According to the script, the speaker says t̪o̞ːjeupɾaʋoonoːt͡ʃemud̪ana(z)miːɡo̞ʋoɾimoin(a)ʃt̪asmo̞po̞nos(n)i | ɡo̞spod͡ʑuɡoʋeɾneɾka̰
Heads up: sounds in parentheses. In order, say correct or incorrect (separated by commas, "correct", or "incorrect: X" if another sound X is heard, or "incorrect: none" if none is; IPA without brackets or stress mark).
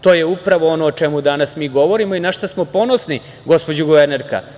incorrect: s, correct, correct